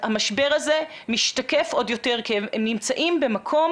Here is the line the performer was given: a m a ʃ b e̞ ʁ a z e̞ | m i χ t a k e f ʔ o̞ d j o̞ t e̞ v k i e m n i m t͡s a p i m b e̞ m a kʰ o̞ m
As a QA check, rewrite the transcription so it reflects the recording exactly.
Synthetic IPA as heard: a m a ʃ b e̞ ʁ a z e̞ | m i ʃ t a k e f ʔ o̞ d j o̞ t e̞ ʁ k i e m n i m t͡s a ʔ i m b e̞ m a kʰ o̞ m